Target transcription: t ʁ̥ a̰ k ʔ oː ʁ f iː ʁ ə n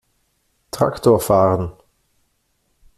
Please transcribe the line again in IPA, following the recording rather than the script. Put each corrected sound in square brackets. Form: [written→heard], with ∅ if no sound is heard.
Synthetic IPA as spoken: t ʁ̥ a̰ k [ʔ→t] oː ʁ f [iː→aː] ʁ ə n